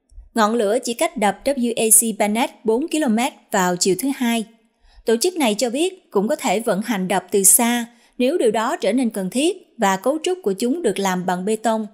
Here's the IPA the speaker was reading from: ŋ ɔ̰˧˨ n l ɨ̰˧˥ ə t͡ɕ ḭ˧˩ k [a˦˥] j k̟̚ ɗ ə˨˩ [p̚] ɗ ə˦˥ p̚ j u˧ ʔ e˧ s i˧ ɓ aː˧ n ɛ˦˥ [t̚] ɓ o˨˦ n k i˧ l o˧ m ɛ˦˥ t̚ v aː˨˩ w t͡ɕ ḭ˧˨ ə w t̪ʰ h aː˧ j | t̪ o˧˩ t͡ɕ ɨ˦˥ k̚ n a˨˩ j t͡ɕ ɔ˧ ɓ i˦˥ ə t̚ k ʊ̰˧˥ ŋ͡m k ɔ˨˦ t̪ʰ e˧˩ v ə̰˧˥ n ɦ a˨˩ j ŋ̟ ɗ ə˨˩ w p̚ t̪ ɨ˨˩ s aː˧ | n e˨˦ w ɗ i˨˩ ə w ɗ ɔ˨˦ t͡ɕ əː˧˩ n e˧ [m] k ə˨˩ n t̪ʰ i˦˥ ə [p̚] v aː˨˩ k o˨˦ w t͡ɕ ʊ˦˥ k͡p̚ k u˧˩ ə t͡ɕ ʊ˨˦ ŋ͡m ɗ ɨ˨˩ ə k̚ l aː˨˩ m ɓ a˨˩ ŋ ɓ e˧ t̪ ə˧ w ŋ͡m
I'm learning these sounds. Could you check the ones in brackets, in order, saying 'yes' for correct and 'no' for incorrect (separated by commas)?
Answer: yes, yes, yes, no, no